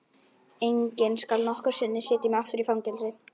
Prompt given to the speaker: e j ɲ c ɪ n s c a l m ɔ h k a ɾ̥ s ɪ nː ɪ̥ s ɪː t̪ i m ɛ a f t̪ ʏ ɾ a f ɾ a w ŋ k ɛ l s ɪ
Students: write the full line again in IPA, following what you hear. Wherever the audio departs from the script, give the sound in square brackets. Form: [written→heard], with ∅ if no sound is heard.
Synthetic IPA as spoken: e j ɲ c ɪ n s [c→k] a l [m→n] ɔ h k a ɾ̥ s ɪ nː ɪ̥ s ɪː t̪ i m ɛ a f t̪ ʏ ɾ [a→i] f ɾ a w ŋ [k→c] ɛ l s ɪ